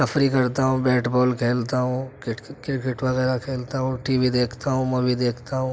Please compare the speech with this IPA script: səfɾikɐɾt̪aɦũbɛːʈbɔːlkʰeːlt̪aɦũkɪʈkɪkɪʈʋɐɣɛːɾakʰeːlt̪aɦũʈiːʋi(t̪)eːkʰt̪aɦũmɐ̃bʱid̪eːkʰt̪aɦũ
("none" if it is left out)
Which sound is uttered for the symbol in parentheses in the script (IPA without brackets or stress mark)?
d̪